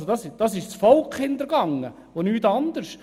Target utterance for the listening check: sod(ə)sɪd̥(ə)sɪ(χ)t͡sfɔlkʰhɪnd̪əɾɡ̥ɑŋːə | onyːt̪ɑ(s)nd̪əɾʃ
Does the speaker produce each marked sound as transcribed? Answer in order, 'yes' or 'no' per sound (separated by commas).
no, no, no, no